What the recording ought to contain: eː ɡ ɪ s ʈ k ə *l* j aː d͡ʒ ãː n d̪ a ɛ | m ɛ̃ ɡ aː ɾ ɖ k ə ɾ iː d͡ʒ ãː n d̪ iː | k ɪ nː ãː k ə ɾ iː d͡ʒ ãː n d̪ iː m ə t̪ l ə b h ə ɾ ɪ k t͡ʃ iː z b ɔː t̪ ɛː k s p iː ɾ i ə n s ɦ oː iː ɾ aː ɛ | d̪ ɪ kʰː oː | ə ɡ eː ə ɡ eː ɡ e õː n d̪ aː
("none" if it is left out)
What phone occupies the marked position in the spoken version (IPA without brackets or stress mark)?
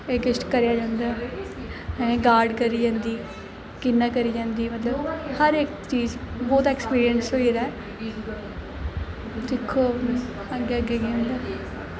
ɾ